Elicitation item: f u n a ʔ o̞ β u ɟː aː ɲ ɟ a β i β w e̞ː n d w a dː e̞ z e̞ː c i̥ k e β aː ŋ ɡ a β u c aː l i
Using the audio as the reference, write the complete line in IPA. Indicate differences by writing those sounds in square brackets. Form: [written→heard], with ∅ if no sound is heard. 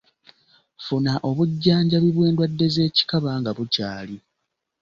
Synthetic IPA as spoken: f u n a ʔ o̞ β u ɟː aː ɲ ɟ a β i β w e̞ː n d w a dː e̞ z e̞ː c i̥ k [e→a] β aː ŋ ɡ a β u c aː l i